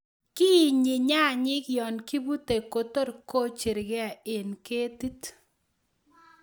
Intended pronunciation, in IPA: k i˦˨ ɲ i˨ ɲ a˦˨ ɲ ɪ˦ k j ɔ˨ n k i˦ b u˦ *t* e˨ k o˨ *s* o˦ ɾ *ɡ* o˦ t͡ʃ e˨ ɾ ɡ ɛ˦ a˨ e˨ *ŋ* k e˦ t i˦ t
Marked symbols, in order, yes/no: yes, no, no, no

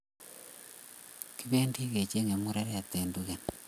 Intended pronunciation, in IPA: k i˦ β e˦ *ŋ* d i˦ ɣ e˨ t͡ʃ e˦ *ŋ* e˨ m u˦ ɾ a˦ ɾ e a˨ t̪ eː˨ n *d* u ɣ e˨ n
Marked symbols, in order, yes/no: no, yes, yes

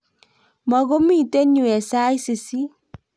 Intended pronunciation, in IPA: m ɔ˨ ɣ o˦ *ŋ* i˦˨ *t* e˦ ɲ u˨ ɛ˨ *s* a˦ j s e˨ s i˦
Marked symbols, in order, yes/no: no, yes, yes

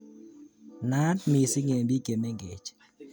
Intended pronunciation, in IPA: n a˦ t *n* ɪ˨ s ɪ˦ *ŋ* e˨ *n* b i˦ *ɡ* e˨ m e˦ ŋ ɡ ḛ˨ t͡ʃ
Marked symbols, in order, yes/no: no, yes, no, no

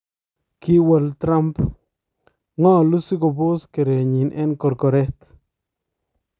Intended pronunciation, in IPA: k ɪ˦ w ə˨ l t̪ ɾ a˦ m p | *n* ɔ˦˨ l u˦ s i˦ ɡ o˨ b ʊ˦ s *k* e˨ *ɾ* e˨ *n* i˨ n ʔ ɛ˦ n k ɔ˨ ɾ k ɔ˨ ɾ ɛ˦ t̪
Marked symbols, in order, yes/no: no, yes, yes, no

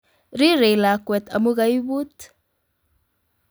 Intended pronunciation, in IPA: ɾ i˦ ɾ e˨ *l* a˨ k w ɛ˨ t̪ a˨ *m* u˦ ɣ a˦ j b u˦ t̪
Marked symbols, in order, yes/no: yes, yes

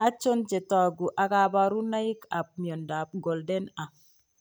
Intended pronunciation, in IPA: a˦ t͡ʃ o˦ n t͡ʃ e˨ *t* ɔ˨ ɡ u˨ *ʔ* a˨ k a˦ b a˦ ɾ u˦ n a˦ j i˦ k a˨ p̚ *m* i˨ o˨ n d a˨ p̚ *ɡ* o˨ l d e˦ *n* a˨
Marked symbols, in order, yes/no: yes, yes, yes, yes, yes

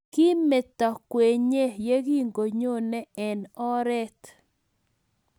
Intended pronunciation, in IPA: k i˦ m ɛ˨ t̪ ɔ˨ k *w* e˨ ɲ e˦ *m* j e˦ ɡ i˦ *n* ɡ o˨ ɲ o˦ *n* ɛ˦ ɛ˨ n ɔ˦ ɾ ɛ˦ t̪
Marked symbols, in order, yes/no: yes, no, no, yes

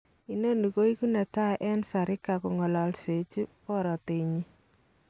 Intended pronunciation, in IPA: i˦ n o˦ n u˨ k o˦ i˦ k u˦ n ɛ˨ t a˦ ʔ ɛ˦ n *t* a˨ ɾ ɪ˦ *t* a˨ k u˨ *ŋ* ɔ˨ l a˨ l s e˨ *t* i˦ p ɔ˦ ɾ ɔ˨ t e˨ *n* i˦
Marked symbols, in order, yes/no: no, no, yes, no, no

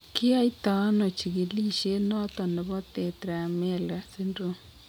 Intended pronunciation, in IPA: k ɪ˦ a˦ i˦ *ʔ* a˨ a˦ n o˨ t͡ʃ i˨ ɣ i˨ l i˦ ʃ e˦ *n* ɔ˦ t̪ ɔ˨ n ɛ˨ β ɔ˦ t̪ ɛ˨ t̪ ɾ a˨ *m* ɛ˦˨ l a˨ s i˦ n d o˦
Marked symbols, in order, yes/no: no, yes, yes

